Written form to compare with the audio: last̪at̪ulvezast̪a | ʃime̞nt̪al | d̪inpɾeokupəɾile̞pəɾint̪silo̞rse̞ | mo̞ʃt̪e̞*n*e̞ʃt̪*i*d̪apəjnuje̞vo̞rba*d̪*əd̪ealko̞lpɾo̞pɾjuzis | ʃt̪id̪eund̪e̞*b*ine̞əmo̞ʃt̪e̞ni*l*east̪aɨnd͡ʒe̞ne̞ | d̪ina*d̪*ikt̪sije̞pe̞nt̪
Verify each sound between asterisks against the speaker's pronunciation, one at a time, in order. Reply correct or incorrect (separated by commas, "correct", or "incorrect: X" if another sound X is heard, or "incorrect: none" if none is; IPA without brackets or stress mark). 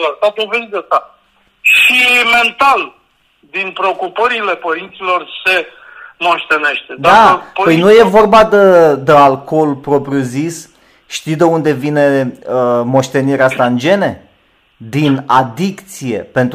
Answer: correct, incorrect: e, correct, incorrect: v, incorrect: ɾ, correct